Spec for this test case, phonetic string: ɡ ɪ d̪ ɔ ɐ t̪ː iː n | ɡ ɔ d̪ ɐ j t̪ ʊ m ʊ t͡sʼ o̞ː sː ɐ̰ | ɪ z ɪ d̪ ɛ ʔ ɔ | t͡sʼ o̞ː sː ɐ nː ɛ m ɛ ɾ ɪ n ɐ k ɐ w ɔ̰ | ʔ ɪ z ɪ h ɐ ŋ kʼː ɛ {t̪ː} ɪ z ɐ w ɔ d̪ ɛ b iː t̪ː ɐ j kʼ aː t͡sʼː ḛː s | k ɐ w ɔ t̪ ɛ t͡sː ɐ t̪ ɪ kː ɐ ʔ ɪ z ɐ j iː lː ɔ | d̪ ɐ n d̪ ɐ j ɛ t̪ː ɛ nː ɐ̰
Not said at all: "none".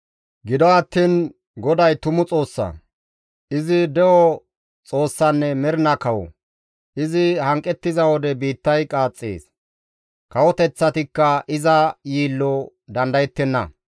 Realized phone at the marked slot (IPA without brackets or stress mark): t̪ː